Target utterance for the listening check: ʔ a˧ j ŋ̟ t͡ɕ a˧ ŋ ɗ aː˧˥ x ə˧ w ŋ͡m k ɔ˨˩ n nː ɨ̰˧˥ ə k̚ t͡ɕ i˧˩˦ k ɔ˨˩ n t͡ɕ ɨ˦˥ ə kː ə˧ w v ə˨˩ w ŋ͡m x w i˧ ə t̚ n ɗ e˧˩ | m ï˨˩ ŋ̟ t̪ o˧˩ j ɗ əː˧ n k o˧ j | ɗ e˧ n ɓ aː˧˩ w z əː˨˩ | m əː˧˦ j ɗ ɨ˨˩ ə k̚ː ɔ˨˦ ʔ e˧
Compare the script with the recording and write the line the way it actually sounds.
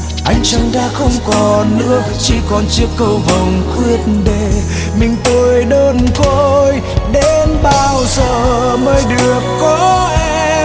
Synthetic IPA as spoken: ʔ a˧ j ŋ̟ t͡ɕ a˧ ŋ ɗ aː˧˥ x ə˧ w ŋ͡m k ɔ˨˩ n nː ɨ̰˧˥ ə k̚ t͡ɕ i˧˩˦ k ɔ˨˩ n t͡ɕ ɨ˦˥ ə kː ə˧ w v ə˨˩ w ŋ͡m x w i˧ ə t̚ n ɗ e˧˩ | m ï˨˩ ŋ̟ t̪ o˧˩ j ɗ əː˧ n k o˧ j | ɗ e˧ n ɓ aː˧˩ w z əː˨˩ | m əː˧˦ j ɗ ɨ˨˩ ə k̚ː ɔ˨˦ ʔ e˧

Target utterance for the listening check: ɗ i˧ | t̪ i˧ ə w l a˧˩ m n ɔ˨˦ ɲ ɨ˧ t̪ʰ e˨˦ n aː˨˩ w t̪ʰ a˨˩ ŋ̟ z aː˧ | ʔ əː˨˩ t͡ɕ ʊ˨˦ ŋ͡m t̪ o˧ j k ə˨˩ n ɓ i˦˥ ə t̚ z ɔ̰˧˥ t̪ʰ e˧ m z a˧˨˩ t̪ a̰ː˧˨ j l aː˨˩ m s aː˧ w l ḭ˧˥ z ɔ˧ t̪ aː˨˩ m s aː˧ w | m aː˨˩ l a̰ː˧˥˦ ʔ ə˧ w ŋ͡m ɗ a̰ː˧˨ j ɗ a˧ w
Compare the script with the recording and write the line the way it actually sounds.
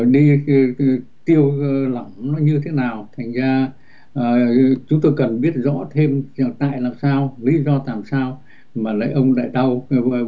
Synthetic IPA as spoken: ɗ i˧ | t̪ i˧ ə w l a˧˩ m n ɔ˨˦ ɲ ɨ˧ t̪ʰ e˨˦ n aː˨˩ w t̪ʰ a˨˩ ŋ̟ z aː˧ | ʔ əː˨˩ t͡ɕ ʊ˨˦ ŋ͡m t̪ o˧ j k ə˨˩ n ɓ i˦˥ ə t̚ z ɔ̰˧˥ t̪ʰ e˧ m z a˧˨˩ t̪ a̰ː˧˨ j l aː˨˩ m s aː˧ w l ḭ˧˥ z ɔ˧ t̪ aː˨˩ m s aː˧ w | m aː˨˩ l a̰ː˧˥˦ ʔ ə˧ w ŋ͡m ɗ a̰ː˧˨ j ɗ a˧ w

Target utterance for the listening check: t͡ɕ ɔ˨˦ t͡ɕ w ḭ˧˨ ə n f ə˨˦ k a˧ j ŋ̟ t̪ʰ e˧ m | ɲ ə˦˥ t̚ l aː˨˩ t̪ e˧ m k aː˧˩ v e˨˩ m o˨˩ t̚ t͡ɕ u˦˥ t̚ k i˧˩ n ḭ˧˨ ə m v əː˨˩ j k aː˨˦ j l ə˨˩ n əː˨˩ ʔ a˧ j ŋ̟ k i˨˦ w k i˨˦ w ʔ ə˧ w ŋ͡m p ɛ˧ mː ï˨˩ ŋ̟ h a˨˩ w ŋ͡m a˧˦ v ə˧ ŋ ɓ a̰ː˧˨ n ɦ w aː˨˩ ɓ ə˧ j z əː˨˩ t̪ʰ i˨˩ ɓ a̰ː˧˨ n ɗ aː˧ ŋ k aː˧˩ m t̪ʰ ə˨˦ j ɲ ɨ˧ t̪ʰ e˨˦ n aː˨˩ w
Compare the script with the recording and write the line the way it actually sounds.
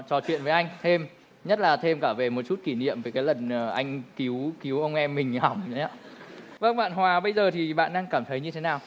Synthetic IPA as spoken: t͡ɕ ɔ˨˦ t͡ɕ w ḭ˧˨ ə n v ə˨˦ ʔ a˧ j ŋ̟ t̪ʰ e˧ m | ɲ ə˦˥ t̚ l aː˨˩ t̪ʰ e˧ m k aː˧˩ v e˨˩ m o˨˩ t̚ t͡ɕ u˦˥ t̚ k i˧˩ n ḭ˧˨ ə m v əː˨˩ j k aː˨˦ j l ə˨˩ n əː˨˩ ʔ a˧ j ŋ̟ k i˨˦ w k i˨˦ w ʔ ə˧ w ŋ͡m ʔ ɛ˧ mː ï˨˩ ŋ̟ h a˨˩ w ŋ͡m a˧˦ v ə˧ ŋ ɓ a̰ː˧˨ n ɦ w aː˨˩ ɓ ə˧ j z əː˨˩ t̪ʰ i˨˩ ɓ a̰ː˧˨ n ɗ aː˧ ŋ k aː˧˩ m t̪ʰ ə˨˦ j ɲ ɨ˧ t̪ʰ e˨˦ n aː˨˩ w

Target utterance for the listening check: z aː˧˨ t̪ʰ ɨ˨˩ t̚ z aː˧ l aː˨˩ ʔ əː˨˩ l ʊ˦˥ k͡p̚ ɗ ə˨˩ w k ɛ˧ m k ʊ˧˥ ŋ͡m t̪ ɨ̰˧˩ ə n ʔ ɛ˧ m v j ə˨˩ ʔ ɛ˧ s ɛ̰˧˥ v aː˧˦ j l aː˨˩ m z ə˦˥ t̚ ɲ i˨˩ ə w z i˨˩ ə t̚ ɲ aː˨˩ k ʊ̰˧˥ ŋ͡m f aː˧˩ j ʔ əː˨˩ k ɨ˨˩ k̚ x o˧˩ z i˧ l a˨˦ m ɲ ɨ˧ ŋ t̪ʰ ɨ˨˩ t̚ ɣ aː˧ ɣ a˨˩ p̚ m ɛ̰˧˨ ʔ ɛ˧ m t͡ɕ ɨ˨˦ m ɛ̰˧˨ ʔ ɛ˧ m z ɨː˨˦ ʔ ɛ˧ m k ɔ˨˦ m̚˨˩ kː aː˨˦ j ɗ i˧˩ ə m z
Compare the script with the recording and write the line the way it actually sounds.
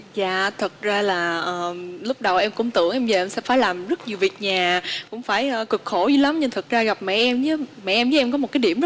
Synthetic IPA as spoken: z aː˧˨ t̪ʰ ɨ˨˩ t̚ z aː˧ l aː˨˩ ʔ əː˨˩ l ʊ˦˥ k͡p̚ ɗ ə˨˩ w ʔ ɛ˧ m k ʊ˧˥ ŋ͡m t̪ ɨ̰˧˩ ə ŋ ʔ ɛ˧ m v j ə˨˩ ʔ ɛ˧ s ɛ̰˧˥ f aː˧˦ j l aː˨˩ m z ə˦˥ t̚ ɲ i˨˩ ə w v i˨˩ ə t̚ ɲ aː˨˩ k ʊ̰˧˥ ŋ͡m f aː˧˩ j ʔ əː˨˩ k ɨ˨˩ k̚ x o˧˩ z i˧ l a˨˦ m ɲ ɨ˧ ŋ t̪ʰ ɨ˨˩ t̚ z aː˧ ɣ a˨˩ p̚ m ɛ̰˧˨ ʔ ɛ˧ m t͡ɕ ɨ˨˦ m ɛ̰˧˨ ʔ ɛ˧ m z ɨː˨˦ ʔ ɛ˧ m k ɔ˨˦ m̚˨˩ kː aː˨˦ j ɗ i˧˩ ə m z

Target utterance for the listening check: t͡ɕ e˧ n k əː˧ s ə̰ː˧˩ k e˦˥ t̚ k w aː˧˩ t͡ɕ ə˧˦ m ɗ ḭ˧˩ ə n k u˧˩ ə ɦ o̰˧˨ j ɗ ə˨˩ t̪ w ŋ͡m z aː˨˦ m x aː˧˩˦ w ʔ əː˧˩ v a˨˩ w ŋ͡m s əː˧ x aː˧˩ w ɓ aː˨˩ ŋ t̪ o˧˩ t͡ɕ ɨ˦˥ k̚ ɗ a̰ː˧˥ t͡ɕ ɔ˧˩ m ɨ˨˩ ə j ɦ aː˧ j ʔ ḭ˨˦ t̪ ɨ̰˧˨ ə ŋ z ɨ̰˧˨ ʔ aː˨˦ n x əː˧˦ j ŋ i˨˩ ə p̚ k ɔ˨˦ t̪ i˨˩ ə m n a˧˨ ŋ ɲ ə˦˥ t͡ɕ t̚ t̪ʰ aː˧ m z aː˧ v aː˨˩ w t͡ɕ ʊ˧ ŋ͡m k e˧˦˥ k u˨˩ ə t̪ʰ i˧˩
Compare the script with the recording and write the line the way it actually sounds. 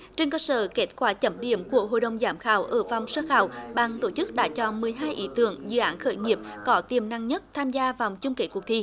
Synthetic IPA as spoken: t͡ɕ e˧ n k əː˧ s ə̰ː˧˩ k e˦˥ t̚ k w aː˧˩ t͡ɕ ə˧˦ m ɗ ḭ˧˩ ə m k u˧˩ ə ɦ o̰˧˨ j ɗ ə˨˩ w ŋ͡m z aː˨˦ m x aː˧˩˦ w ʔ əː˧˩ v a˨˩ w ŋ͡m s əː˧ x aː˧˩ w ɓ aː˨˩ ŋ t̪ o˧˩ t͡ɕ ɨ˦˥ k̚ ɗ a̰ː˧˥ t͡ɕ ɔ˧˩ m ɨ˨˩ ə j ɦ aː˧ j ʔ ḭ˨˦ t̪ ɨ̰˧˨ ə ŋ z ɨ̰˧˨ ʔ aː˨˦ n x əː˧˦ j ŋ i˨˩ ə p̚ k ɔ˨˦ t̪ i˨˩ ə m n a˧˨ ŋ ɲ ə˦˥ t̚ t̪ʰ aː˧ m z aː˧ v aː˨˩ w t͡ɕ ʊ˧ ŋ͡m k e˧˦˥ k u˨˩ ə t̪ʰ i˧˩

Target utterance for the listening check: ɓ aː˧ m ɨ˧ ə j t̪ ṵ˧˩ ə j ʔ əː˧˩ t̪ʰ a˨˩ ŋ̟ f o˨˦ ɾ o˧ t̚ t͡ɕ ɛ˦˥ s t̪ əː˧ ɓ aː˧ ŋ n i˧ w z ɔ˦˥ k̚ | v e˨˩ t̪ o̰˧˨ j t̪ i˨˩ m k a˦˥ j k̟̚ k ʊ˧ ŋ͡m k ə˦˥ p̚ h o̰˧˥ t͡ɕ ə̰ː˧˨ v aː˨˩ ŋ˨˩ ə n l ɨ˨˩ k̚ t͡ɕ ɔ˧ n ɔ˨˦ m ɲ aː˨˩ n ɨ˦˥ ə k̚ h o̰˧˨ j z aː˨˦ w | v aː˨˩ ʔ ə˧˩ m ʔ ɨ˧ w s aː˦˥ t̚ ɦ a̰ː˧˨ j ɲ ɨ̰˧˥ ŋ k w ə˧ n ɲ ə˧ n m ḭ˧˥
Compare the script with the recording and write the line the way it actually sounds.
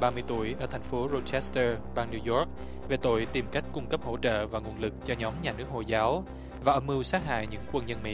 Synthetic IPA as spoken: ɓ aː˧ m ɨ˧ ə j t̪ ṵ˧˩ ə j ʔ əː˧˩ t̪ʰ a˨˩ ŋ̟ f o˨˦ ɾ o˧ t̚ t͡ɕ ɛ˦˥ s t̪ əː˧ ɓ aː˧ ŋ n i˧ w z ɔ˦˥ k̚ | v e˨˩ t̪ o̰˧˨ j t̪ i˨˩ m k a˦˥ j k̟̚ k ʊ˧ ŋ͡m k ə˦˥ p̚ h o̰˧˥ t͡ɕ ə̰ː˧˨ v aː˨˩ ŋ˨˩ ə n l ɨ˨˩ k̚ t͡ɕ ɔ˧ ɲ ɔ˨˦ m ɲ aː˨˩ n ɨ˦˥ ə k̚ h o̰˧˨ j z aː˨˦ w | v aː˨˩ ʔ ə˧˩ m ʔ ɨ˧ w s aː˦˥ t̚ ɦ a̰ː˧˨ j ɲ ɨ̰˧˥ ŋ k w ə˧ n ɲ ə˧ n m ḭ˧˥

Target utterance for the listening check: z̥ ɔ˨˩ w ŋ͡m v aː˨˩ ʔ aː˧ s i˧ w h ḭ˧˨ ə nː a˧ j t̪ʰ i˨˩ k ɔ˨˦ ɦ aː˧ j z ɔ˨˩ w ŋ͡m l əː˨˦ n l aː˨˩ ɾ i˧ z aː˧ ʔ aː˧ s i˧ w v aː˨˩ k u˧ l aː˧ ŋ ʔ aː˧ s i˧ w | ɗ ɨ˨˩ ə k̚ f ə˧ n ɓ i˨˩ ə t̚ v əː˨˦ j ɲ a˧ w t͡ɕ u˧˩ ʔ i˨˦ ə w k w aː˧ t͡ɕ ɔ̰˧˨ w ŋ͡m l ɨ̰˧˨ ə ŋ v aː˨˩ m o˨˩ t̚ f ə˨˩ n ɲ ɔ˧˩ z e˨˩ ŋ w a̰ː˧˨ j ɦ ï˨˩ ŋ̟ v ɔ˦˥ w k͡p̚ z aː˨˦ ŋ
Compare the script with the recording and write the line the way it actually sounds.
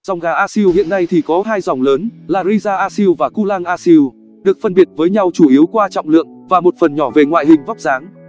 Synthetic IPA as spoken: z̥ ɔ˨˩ w ŋ͡m ɣ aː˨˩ ʔ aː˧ s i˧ w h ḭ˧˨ ə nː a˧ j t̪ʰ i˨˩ k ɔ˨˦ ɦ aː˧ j z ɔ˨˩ w ŋ͡m l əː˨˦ n l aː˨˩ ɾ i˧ z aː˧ ʔ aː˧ s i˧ w v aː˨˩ k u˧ l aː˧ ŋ ʔ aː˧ s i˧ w | ɗ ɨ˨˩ ə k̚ f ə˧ n ɓ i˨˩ ə t̚ v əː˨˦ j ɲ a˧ w t͡ɕ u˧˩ ʔ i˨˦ ə w k w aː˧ t͡ɕ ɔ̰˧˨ w ŋ͡m l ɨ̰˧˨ ə ŋ v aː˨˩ m o˨˩ t̚ f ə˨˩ n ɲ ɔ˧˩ v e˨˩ ŋ w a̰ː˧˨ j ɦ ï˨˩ ŋ̟ v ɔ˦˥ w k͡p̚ z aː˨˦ ŋ

